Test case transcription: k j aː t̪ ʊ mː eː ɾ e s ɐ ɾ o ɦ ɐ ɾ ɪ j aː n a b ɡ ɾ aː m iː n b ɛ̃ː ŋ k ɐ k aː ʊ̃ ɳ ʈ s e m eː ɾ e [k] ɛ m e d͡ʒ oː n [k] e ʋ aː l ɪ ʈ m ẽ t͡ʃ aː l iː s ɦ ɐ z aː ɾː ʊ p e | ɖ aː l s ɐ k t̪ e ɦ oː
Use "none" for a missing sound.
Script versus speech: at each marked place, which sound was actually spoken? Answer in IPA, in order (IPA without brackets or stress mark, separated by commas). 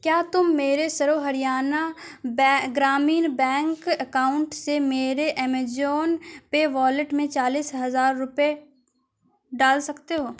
ʔ, p